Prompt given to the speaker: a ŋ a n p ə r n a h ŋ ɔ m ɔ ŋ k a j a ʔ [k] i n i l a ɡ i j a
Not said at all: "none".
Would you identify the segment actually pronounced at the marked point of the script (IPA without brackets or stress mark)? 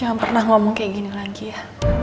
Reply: ɡ